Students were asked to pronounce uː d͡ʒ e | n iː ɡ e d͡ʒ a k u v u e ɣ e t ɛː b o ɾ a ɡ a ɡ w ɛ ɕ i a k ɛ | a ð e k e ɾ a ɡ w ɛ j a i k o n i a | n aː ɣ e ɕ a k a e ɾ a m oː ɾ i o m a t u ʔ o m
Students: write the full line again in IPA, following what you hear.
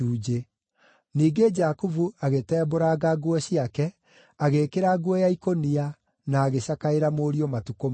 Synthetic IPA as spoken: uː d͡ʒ e | n iː ɡ e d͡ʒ a k u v u a ɣ e t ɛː b o ɾ a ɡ a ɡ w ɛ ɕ i a k ɛ | a ɣ e k e ɾ a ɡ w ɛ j a i k o n i a | n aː ɣ e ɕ a k a e ɾ a m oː ɾ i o m a t u k o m